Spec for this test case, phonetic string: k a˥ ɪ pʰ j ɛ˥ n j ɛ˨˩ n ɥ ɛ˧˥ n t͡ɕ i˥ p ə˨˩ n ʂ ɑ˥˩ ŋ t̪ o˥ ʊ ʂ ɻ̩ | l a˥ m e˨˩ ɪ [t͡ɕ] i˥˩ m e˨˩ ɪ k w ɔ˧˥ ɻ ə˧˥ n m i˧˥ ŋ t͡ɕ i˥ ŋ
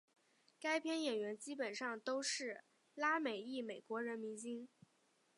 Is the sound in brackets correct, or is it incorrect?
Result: incorrect